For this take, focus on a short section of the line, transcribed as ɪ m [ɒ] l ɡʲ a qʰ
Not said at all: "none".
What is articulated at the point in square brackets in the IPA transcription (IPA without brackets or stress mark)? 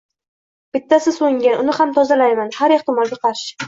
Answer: ɒ